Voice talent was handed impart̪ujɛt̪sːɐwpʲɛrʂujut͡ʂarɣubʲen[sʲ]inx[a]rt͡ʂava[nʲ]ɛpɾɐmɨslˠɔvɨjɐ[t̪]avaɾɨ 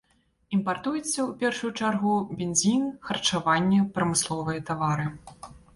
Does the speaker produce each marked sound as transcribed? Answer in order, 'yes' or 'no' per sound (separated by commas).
no, no, no, yes